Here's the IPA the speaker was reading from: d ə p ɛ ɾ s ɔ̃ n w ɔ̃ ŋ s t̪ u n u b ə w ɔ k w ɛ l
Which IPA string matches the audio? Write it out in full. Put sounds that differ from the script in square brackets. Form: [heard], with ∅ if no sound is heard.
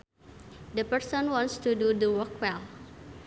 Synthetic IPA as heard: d ə p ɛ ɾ s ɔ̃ n w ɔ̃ [n] s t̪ u [d] u [d] ə w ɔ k w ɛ l

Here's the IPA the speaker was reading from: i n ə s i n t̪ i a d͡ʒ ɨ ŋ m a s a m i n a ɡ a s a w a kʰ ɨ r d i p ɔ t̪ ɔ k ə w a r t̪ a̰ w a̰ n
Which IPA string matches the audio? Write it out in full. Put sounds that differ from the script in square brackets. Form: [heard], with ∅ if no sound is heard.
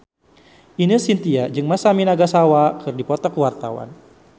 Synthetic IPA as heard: i n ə s i n t̪ i a d͡ʒ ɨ ŋ m a s a m i n a ɡ a s a w a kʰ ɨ r d i p ɔ t̪ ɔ k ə w a r t̪ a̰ w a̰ n

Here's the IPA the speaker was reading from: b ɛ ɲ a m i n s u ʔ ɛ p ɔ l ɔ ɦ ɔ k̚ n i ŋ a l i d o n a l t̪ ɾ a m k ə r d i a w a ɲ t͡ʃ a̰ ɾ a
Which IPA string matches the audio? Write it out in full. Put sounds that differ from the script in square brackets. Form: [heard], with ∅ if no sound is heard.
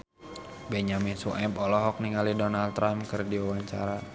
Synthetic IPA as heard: b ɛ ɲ a m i n s u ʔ ɛ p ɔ l ɔ ɦ ɔ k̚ n i ŋ a l i d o n a l t̪ ɾ a m k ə r d i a w a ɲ t͡ʃ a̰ ɾ a

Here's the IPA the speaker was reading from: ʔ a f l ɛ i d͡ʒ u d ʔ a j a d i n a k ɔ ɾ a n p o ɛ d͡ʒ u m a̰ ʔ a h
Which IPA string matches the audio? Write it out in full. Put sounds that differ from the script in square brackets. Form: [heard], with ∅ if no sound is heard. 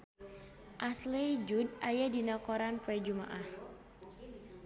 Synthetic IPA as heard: ʔ a [s] l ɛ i d͡ʒ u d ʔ a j a d i n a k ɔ ɾ a n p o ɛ d͡ʒ u m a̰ ʔ a h

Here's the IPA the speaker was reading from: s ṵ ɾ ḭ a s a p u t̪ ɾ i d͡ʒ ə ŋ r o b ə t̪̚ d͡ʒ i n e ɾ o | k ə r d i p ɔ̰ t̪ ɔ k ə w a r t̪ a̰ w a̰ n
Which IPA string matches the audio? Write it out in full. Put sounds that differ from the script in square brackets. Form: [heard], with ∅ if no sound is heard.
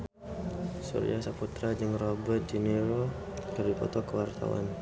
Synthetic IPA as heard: s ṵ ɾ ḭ a s a p u t̪ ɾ [a] d͡ʒ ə ŋ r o b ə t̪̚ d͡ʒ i n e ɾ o | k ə r d i p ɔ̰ t̪ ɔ k ə w a r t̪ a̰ w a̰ n

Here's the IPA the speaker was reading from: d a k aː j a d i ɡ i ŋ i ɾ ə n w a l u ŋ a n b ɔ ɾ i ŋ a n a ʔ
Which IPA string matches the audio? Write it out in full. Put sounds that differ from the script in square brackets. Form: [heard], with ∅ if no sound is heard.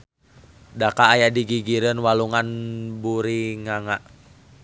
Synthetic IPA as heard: d a k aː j a d i ɡ i [ɡ] i ɾ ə n w a l u ŋ a n b [u] ɾ i ŋ a [ŋ] a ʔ

